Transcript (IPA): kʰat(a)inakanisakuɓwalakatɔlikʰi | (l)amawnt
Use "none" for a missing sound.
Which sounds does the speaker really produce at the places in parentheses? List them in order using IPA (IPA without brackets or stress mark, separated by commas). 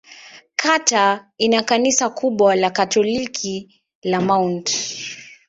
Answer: a, l